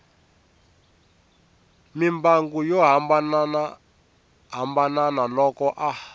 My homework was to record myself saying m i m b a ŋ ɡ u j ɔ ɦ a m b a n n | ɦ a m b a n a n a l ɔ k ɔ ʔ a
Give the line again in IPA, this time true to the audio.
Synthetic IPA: m i m b a ŋ ɡ u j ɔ ɦ a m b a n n | ɦ a m b a n a n a l ɔ k ɔ ʔ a